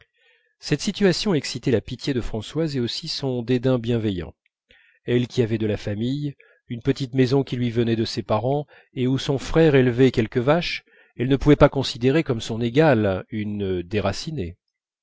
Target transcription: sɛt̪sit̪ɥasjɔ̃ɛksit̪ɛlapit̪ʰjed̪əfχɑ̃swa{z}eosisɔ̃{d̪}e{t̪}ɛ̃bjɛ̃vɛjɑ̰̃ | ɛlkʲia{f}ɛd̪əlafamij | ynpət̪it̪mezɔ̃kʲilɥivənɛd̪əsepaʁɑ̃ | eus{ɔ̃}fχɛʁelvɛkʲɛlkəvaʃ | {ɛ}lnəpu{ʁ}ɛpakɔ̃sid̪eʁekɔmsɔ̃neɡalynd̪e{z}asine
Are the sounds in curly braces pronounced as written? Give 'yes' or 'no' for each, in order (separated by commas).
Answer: yes, yes, no, no, yes, yes, no, no